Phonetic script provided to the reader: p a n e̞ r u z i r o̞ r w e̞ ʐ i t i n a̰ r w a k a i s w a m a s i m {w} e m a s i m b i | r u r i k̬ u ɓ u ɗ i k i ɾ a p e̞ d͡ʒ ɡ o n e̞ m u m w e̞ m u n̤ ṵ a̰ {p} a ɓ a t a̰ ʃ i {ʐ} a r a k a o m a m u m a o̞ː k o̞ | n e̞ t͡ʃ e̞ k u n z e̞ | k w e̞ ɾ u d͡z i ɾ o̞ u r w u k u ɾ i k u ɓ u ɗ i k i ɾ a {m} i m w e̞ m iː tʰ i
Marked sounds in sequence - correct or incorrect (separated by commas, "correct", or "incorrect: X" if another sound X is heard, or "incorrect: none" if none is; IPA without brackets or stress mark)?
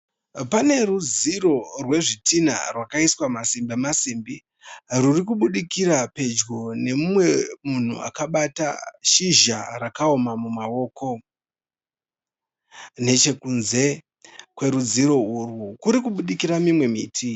incorrect: b, incorrect: k, incorrect: ʒ, correct